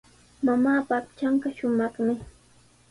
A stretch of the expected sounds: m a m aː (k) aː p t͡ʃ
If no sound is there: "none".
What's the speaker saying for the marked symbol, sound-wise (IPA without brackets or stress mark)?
p